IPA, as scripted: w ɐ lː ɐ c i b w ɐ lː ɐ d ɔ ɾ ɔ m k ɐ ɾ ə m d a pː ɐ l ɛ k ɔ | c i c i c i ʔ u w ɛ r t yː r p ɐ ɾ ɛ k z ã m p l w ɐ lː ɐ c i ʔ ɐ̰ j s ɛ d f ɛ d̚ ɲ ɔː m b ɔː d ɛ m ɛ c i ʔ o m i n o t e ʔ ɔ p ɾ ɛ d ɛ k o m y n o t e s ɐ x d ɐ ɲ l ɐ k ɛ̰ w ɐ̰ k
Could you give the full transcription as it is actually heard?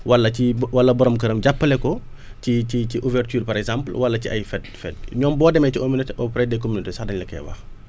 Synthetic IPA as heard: w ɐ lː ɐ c i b w ɐ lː ɐ b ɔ ɾ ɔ m k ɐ ɾ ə m ɟ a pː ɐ l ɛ k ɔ | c i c i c i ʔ u v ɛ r t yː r p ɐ ɾ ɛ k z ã m p l w ɐ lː ɐ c i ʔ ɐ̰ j f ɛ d f ɛ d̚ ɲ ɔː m b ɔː d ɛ m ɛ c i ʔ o m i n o t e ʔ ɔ p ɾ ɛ d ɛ k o m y n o t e s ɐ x d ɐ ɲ l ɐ k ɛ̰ w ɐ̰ x